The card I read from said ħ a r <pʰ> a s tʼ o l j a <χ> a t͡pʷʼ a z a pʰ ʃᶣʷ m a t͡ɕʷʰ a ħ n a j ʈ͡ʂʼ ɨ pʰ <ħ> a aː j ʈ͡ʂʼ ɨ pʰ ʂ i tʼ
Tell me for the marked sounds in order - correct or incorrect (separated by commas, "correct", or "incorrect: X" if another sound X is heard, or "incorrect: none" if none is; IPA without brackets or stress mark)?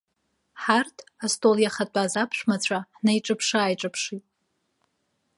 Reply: incorrect: tʰ, correct, incorrect: ʂ